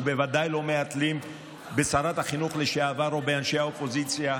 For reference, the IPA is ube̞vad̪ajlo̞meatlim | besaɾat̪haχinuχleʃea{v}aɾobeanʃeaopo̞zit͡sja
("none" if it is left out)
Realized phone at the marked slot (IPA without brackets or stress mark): v